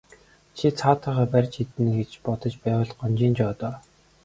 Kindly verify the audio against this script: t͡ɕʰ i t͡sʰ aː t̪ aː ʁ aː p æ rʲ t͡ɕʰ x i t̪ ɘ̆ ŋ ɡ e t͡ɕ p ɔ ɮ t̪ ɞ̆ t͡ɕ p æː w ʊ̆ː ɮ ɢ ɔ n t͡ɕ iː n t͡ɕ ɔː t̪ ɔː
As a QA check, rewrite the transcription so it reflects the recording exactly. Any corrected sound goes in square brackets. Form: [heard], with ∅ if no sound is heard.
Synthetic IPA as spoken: t͡ɕʰ i t͡sʰ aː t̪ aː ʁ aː p æ rʲ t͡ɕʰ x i t̪ ɘ̆ [n] ɡ e t͡ɕ p ɔ [∅] t̪ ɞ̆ t͡ɕ p æː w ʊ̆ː ɮ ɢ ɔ n t͡ɕ iː n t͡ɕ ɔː t̪ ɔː